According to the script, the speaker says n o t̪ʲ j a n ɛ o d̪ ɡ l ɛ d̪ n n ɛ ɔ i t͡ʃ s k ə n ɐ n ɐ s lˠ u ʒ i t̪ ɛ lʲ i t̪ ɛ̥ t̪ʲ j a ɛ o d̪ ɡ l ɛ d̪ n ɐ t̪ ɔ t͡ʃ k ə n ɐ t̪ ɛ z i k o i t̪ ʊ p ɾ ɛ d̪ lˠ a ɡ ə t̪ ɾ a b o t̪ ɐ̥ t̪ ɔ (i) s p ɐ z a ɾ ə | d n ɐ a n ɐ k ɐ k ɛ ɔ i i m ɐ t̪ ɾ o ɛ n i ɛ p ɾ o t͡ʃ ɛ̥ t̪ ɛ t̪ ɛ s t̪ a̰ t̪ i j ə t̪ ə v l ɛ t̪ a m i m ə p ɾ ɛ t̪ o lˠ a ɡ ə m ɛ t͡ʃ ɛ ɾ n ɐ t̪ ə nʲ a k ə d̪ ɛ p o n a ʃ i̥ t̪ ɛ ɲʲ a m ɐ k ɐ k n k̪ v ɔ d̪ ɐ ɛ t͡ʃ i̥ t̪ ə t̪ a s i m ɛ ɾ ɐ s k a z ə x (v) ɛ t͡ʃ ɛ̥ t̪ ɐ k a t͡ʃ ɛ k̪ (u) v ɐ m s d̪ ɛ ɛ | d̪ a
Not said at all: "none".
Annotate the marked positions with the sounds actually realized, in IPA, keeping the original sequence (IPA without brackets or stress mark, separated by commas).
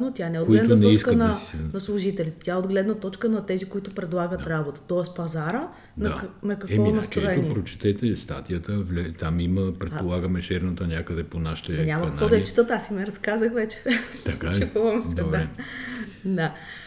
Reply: ɛ, v, u